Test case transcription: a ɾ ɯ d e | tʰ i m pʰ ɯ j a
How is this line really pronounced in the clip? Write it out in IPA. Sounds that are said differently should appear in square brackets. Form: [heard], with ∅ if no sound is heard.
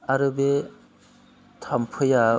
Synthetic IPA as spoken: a ɾ ɯ [b] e | tʰ [a] m pʰ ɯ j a